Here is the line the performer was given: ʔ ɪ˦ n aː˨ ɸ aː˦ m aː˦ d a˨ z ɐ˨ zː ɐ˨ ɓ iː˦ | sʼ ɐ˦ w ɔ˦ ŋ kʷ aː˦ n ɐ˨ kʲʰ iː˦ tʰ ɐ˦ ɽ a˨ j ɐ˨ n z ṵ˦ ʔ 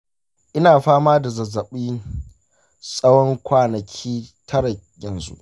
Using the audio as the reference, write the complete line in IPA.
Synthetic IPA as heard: ʔ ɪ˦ n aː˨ ɸ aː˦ m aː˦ d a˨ z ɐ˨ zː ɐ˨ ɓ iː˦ | sʼ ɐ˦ w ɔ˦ ŋ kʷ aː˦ n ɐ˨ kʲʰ iː˦ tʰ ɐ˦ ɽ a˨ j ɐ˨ n z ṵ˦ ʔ